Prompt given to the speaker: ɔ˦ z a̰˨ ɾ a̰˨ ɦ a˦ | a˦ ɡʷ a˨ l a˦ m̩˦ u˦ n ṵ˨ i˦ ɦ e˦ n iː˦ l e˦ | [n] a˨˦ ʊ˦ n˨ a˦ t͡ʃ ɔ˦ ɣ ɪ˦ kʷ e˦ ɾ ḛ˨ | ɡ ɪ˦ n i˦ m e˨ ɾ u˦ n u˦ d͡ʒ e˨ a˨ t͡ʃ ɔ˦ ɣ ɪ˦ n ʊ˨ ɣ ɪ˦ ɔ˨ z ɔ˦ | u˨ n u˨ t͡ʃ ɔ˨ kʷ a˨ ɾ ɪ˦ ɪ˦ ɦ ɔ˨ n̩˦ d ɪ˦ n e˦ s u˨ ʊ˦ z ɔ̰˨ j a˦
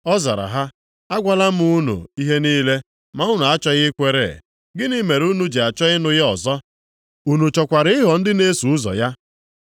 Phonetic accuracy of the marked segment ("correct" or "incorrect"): incorrect